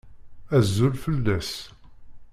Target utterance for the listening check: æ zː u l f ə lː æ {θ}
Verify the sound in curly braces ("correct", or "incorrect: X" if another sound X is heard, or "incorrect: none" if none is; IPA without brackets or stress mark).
incorrect: s